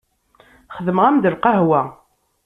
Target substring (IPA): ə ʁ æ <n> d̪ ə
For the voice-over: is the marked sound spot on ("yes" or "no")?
no